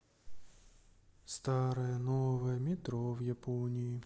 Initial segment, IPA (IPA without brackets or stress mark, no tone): s